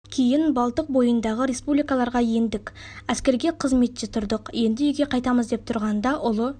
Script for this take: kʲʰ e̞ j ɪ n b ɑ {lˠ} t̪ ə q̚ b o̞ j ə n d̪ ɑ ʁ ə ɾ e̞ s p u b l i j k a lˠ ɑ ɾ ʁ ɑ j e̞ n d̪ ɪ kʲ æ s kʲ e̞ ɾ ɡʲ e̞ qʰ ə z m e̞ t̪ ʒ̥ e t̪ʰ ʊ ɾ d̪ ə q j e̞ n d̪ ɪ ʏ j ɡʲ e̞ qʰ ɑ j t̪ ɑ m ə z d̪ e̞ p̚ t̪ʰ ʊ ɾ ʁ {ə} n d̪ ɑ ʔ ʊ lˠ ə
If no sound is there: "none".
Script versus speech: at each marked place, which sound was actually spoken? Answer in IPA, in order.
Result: lˠ, ɑ

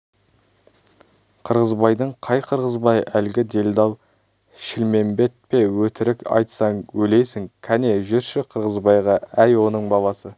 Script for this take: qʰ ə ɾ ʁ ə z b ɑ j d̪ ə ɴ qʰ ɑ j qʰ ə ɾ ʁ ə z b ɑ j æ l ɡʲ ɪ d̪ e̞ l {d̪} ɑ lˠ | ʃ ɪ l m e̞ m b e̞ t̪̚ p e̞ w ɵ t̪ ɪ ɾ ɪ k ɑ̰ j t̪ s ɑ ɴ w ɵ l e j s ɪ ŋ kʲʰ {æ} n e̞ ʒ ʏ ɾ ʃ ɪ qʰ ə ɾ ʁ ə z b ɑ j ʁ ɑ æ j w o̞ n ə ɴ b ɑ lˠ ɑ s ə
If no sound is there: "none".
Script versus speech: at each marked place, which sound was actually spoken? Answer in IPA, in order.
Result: d̪, æ

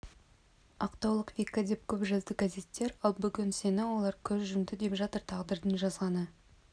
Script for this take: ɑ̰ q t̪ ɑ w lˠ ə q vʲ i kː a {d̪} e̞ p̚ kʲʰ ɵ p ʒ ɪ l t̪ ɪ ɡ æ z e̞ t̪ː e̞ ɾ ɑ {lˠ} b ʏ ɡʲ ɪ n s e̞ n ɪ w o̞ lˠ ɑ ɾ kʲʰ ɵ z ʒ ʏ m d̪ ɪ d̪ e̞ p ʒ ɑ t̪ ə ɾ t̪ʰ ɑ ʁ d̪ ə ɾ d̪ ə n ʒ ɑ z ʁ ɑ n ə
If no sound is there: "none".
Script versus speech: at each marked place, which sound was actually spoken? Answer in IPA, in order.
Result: d̪, lˠ

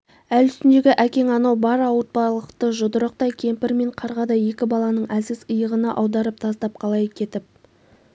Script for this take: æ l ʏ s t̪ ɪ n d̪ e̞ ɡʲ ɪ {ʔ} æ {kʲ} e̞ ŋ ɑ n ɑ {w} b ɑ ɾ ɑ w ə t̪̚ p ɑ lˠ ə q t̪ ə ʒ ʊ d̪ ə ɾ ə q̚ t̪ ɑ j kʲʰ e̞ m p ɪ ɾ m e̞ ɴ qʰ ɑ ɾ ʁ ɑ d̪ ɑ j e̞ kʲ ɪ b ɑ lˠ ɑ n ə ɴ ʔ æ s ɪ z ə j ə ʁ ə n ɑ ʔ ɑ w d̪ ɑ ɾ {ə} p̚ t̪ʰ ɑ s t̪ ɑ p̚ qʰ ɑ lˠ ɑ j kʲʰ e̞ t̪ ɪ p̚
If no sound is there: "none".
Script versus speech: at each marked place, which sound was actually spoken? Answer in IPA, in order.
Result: ʔ, kʲ, w, ə

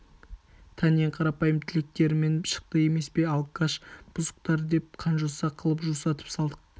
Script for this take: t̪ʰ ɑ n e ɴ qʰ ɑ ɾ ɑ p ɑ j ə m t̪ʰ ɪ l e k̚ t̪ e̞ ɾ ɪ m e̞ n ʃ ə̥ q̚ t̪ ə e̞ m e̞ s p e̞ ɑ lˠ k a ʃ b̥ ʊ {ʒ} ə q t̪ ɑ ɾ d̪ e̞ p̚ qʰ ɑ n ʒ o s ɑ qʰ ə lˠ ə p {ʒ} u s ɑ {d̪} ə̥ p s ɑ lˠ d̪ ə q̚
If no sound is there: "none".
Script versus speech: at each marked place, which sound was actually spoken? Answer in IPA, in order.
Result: z, ʒ, t̪

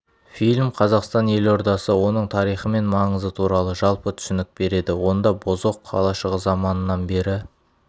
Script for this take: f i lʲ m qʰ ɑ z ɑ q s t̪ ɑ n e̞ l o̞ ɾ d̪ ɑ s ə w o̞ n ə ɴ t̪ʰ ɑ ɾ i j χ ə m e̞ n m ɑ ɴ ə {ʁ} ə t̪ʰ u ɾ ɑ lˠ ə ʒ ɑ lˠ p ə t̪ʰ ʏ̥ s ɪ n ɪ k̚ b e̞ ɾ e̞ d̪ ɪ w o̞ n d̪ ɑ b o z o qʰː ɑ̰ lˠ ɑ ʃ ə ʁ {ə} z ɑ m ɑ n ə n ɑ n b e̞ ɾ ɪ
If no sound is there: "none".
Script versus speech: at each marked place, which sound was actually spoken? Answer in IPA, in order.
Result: z, ə

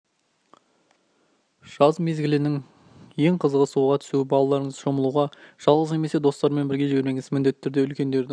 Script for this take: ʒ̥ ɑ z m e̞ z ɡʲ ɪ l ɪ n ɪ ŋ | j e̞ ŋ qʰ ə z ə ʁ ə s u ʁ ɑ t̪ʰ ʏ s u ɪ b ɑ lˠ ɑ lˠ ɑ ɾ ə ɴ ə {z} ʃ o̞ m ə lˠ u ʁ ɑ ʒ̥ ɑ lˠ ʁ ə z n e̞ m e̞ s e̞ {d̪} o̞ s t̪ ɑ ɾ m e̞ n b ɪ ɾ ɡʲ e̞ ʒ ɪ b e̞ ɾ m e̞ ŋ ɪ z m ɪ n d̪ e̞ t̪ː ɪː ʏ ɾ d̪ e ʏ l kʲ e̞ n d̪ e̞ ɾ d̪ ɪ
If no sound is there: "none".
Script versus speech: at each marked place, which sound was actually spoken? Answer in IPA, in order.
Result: z, d̪

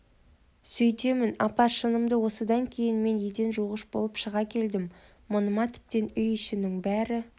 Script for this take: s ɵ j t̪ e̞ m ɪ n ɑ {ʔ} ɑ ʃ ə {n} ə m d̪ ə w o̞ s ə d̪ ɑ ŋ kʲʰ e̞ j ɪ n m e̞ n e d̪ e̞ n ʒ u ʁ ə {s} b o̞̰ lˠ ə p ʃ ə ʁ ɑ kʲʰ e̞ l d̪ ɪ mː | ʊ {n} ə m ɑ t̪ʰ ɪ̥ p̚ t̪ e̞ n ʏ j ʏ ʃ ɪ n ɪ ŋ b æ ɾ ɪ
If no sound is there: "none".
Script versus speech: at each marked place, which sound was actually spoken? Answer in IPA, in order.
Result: p, n, ʃ, n

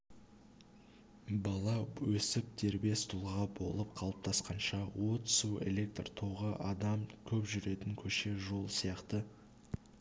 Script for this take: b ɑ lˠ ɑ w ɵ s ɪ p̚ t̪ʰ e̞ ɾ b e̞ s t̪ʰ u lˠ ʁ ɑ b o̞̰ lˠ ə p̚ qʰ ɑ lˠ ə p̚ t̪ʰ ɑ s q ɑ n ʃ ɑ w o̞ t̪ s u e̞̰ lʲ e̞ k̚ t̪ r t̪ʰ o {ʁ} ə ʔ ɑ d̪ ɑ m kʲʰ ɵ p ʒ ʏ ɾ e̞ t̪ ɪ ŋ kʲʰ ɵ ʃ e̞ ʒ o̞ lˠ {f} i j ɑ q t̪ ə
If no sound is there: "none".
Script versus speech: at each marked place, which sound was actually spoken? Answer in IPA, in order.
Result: ʁ, s

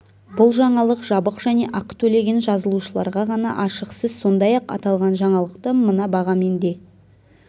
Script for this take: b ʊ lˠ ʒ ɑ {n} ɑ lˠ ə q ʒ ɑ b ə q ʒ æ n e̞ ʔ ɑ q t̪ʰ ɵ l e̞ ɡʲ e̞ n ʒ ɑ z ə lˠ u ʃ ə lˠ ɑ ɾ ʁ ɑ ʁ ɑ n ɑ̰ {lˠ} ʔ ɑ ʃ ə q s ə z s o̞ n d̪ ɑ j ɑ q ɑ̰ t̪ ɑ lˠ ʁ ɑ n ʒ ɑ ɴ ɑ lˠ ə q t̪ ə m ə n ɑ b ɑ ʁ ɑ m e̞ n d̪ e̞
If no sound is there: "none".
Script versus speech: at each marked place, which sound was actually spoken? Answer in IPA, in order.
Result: ɴ, none

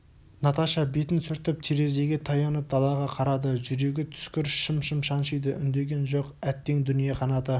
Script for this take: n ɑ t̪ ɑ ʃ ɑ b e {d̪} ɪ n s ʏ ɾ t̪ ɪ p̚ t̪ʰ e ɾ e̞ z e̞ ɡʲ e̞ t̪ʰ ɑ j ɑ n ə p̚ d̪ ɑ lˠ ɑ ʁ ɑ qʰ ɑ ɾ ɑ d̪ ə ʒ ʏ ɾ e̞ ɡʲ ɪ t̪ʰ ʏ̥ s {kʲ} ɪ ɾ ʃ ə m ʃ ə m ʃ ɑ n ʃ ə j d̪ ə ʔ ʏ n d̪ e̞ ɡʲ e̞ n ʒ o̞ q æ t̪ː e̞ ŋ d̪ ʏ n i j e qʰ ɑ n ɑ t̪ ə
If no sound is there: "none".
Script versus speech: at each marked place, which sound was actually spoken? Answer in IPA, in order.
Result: t̪, kʲ

